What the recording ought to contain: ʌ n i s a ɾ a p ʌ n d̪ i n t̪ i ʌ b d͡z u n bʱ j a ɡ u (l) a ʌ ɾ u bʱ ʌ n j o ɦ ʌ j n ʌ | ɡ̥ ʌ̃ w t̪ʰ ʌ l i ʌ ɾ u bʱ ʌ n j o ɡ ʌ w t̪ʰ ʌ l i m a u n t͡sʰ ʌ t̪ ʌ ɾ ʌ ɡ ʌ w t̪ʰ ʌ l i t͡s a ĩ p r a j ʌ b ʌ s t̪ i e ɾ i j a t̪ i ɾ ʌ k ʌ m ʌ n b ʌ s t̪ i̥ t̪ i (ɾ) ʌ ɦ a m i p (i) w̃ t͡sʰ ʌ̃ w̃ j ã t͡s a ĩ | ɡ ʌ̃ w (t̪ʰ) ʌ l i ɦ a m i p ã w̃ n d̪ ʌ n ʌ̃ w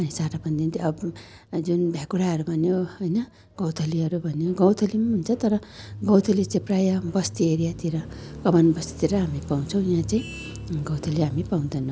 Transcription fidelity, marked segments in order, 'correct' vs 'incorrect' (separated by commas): incorrect, correct, incorrect, correct